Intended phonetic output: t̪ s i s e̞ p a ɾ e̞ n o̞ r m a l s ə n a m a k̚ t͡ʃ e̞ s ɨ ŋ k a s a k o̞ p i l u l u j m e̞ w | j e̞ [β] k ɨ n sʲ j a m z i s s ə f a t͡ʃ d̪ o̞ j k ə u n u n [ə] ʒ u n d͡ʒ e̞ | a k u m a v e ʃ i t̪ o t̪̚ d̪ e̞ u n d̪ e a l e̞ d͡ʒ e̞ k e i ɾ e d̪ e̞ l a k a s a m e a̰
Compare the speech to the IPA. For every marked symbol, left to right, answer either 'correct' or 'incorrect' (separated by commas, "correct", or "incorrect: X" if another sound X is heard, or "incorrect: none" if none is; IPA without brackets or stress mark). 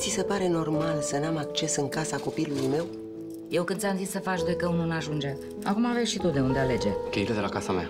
incorrect: w, incorrect: a